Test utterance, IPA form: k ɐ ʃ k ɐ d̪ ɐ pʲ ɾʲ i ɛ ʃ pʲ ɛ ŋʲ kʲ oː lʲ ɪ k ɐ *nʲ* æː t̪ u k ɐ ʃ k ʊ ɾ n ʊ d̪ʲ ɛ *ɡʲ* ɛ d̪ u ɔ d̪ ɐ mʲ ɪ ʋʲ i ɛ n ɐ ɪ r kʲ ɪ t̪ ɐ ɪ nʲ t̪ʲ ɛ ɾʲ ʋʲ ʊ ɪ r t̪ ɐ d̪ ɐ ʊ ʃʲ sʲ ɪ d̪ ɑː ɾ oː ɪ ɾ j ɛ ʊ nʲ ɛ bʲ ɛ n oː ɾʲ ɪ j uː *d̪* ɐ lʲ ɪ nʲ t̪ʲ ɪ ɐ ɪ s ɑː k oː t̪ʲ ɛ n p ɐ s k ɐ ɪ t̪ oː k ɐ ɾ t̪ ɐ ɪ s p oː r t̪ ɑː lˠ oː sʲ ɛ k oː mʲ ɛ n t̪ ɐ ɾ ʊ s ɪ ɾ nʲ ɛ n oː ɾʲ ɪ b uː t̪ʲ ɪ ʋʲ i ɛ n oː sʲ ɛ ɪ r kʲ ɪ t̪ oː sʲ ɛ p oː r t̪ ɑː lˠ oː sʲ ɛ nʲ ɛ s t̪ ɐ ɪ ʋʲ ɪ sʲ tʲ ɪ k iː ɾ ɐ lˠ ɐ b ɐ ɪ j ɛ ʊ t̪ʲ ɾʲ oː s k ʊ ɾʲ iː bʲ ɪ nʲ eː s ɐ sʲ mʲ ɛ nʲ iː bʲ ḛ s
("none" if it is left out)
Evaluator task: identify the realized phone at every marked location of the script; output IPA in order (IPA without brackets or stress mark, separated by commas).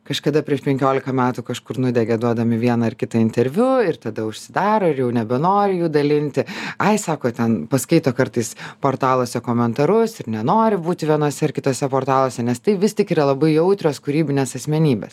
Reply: mʲ, ɡʲ, d̪